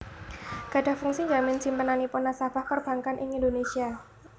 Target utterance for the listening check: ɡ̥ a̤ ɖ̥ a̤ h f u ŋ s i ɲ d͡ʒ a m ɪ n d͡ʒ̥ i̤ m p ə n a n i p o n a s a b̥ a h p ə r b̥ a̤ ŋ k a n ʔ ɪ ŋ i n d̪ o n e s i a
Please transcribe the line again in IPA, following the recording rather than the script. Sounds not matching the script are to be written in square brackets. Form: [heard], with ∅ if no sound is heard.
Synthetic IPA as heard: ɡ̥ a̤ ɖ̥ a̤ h f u ŋ s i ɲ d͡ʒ a m ɪ n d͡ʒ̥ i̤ m p ə n a n i p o n a s a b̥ a h p ə r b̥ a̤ ŋ k a n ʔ ɪ ŋ i n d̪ o n e s i a

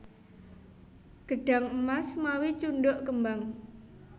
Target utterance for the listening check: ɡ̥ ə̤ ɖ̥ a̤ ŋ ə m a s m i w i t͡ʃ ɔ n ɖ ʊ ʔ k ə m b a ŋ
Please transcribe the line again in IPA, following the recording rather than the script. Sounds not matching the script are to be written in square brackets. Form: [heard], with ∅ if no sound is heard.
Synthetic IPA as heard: ɡ̥ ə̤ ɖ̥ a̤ ŋ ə m a s m [a] w i t͡ʃ [u] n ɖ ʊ ʔ k ə m b a ŋ

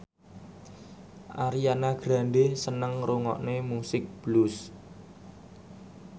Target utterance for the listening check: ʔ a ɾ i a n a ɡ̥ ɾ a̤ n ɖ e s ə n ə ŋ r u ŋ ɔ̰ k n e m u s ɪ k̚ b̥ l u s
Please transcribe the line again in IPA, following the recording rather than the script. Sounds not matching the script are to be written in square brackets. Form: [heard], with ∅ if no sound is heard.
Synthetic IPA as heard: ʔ a ɾ i a n a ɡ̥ ɾ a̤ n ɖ e s ə n ə ŋ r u ŋ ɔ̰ [ʔ] n e m u s ɪ k̚ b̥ l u s

